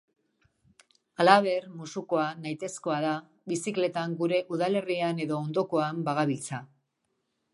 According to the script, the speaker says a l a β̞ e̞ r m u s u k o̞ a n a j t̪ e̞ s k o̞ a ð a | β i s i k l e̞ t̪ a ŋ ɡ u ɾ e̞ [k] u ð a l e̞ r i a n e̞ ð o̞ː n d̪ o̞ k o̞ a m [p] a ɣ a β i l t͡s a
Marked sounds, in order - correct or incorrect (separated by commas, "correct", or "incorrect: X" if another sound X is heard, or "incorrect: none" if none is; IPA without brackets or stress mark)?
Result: incorrect: ʔ, incorrect: b